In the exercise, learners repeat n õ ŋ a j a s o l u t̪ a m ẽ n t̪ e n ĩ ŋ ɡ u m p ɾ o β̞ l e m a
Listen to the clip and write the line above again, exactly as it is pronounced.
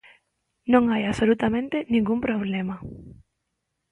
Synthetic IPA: n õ ŋ a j a s o l u t̪ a m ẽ n t̪ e n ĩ ŋ ɡ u m p ɾ o β̞ l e m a